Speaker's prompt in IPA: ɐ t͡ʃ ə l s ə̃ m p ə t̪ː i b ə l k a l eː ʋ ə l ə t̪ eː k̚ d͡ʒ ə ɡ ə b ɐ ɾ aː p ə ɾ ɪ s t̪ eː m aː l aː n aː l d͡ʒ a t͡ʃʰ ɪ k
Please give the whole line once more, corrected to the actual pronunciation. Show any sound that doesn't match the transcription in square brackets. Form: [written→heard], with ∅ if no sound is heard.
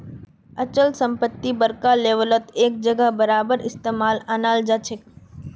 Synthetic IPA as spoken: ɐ t͡ʃ ə l s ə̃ m p ə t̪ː i b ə [l→ɾ] k a l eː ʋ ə l ə t̪ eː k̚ d͡ʒ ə ɡ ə b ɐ ɾ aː [p→b] ə ɾ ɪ s t̪ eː m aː l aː n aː l d͡ʒ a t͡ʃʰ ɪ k